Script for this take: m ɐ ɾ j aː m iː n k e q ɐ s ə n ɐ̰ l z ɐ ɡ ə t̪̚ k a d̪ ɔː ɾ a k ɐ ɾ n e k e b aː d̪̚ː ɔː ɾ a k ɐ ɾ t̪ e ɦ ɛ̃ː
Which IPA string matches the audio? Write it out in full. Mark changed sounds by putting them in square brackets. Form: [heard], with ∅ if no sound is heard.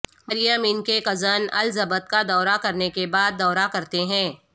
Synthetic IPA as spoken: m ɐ ɾ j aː m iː n k e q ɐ [z] ə n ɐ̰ l z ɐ [b] ə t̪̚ k a d̪ ɔː ɾ a k ɐ ɾ n e k e b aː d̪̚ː ɔː ɾ a k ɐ ɾ t̪ e ɦ ɛ̃ː